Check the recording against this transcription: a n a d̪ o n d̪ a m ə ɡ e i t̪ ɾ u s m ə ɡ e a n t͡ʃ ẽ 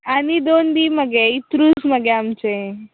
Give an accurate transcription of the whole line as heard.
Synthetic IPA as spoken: a n i d̪ o n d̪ i m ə ɡ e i t̪ ɾ u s m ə ɡ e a m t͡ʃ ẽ